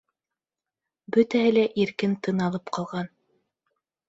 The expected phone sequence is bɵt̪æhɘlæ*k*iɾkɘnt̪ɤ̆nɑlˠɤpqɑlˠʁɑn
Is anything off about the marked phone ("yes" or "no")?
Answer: yes